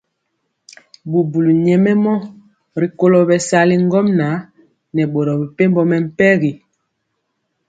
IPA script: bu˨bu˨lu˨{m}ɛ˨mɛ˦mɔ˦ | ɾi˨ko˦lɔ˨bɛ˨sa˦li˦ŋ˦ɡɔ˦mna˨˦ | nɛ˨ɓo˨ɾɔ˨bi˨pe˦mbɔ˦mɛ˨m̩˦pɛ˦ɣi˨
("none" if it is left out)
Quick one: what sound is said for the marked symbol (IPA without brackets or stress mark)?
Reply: ɲ